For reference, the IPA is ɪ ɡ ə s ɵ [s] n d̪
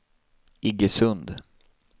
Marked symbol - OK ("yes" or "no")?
no